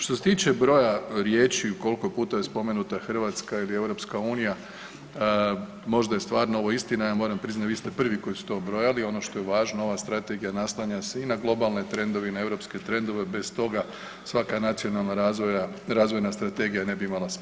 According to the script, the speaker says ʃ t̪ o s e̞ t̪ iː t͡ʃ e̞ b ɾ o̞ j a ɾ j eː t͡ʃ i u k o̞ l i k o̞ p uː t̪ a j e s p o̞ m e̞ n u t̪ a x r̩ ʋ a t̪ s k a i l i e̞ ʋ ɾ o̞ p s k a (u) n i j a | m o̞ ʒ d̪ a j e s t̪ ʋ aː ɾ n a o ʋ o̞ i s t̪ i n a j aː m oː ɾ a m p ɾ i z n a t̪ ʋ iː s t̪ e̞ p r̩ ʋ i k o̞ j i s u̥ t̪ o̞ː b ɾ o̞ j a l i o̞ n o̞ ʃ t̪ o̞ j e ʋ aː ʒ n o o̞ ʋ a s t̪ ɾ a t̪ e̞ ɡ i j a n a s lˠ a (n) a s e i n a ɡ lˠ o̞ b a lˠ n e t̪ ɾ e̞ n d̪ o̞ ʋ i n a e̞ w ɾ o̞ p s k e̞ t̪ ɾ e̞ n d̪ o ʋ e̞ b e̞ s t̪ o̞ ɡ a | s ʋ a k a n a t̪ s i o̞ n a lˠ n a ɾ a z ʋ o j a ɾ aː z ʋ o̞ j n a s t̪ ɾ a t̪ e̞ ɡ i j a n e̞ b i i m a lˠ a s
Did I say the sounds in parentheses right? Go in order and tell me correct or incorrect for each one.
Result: incorrect: uː, incorrect: ɲ

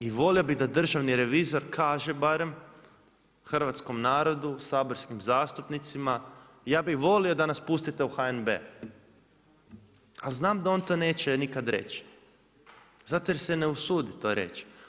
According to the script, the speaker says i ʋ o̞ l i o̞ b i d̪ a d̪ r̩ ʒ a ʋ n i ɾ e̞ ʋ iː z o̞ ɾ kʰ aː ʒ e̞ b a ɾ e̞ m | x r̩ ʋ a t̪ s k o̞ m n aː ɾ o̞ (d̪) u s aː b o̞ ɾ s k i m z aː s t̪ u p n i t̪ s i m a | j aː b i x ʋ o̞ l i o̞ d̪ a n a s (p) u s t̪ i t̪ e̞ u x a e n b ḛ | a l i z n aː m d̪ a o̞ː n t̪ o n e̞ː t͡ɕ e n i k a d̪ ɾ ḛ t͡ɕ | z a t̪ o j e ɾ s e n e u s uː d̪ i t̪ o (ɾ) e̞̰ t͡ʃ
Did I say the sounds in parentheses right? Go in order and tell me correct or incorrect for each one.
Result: correct, correct, correct

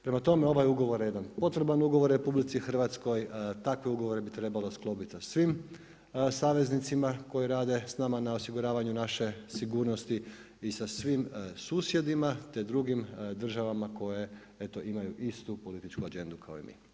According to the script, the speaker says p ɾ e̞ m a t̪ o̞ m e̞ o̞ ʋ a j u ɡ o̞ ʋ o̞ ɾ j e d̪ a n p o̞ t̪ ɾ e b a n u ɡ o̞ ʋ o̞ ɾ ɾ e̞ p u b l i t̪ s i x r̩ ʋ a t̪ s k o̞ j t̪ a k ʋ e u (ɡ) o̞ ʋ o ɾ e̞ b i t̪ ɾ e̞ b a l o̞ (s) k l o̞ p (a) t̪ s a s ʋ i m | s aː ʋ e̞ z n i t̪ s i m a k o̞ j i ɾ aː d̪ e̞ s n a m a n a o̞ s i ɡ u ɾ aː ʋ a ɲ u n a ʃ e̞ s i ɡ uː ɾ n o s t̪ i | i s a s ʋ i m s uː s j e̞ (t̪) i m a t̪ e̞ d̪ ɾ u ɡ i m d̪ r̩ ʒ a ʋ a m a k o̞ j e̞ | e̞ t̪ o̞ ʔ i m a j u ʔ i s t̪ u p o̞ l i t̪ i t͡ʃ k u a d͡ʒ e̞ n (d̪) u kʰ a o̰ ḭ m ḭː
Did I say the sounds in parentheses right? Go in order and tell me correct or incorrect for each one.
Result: correct, correct, incorrect: i, incorrect: d̪, correct

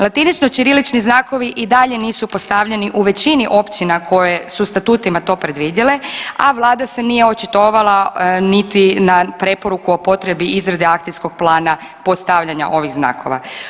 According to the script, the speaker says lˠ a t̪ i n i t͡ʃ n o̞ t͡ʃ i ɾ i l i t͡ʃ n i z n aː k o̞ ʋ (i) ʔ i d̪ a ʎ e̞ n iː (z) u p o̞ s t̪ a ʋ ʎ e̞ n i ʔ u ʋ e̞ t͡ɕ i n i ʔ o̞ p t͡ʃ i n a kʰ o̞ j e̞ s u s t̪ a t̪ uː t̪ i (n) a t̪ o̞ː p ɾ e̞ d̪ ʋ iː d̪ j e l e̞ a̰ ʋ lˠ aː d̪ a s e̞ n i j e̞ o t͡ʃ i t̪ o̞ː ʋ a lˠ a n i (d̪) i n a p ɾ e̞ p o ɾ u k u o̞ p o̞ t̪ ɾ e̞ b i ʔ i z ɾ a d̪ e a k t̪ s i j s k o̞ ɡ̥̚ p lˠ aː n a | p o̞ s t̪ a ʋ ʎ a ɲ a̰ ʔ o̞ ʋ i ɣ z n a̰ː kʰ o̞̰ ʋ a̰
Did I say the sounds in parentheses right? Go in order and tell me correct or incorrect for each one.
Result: correct, incorrect: s, incorrect: m, incorrect: t̪

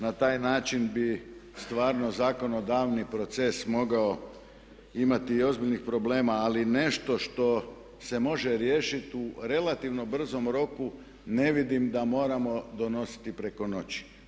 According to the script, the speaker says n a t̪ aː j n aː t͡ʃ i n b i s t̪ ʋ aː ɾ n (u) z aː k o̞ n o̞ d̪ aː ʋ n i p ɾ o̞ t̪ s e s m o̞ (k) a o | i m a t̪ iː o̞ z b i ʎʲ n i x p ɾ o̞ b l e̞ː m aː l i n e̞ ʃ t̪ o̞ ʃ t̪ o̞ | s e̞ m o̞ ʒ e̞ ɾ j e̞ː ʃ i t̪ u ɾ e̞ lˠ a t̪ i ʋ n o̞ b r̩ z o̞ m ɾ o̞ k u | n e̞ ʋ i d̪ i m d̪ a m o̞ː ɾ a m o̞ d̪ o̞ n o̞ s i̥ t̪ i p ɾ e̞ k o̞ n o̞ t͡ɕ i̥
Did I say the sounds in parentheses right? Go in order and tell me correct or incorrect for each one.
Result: incorrect: o, incorrect: ɡ

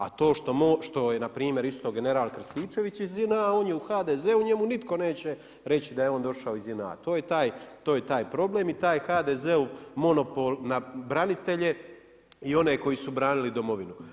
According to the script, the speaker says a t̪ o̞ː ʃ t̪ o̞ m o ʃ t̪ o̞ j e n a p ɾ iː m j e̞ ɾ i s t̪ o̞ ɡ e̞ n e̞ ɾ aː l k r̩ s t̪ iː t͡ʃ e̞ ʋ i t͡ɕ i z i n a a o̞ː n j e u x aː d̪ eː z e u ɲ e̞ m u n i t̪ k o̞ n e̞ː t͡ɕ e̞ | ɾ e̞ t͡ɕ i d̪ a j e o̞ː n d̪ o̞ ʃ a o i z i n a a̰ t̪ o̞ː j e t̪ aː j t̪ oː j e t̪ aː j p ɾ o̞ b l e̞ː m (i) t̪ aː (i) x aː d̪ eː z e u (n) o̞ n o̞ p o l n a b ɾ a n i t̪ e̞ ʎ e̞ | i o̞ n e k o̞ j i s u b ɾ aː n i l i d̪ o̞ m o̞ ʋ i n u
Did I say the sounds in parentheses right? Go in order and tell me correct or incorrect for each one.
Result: correct, incorrect: j, incorrect: m

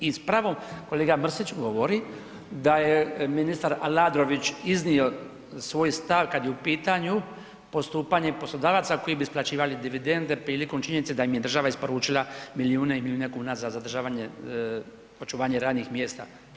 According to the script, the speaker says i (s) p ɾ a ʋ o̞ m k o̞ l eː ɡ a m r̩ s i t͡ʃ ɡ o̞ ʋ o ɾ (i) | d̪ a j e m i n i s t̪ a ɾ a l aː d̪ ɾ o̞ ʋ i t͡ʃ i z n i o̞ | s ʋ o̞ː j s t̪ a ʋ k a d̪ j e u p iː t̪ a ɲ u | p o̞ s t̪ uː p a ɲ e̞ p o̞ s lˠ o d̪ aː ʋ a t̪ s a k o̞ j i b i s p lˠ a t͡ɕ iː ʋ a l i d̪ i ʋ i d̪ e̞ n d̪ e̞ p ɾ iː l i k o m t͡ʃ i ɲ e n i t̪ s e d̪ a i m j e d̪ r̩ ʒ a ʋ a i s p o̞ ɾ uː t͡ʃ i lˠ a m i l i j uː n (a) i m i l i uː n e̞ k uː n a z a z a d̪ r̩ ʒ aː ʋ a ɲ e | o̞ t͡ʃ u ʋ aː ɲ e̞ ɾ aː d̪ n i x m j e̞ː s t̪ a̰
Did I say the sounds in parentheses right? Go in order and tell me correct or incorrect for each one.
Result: correct, correct, incorrect: e

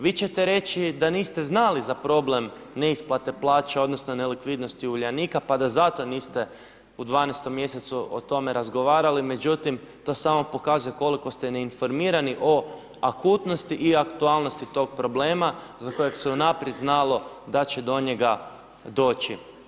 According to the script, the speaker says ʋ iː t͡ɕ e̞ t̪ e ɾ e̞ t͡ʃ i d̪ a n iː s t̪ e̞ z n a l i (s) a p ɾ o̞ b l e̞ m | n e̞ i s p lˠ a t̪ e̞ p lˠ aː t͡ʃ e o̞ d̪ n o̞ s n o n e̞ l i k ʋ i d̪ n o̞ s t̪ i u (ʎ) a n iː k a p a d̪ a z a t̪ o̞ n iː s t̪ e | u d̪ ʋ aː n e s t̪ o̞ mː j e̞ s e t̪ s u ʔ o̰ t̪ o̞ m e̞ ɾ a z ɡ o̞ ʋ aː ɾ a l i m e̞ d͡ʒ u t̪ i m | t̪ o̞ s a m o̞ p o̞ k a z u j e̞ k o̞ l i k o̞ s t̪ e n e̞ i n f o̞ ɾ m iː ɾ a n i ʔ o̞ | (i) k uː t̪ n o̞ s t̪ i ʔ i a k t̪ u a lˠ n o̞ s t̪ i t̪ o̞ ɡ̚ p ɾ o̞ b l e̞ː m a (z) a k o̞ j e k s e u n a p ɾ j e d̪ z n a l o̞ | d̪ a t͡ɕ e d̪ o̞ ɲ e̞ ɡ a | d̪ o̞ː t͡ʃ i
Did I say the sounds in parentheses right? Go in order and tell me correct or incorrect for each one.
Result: incorrect: z, correct, incorrect: a, correct

